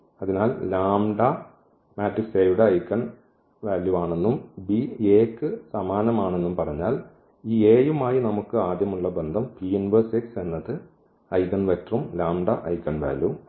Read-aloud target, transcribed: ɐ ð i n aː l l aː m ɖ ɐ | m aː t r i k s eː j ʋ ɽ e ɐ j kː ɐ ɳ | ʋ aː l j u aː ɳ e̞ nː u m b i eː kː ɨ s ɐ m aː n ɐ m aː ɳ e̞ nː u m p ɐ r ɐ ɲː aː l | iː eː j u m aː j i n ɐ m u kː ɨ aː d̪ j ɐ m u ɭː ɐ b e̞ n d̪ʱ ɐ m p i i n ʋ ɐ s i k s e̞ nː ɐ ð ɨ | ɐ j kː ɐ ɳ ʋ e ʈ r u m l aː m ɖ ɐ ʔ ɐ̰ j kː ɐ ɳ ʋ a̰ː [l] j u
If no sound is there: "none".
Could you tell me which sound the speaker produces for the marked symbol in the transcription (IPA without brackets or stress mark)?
l